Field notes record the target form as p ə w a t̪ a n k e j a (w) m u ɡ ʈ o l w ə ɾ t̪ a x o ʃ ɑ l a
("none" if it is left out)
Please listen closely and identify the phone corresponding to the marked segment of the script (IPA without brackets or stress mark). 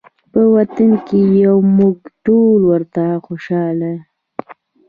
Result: w